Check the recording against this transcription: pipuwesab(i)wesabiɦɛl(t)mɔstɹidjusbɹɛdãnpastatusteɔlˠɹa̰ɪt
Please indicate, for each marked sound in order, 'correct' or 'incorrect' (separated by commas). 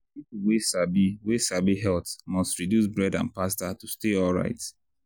correct, correct